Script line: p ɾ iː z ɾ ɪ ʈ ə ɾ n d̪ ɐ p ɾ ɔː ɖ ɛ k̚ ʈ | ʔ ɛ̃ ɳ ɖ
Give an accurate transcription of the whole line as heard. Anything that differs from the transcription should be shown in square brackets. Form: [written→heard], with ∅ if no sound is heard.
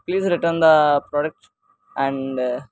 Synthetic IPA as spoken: p [ɾ→l] iː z ɾ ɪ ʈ ə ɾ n d̪ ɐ p ɾ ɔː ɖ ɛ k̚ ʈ | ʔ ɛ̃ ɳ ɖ